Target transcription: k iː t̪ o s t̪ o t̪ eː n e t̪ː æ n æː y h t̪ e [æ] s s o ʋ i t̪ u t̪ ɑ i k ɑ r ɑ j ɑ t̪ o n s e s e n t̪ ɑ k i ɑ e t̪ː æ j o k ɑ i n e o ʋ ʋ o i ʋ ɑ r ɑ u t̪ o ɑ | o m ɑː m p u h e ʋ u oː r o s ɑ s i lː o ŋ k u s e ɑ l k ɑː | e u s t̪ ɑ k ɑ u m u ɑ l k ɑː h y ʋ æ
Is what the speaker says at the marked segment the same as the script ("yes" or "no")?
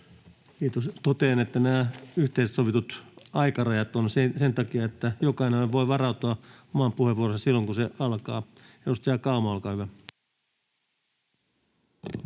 no